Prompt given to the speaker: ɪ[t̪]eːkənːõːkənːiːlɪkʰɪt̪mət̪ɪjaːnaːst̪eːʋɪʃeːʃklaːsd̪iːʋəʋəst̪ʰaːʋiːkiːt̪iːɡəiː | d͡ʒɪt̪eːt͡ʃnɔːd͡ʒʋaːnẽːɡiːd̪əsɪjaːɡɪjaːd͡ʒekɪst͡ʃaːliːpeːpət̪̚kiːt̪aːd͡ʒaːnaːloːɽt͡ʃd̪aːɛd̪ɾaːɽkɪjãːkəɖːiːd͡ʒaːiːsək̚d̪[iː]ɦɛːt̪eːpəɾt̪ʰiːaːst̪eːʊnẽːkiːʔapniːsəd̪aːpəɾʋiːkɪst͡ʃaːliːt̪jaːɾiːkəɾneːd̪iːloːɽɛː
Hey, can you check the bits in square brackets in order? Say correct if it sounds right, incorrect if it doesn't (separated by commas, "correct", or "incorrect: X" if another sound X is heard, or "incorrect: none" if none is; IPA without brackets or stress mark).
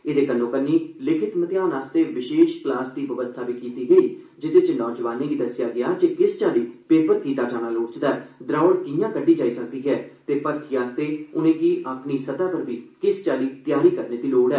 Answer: incorrect: d̪, correct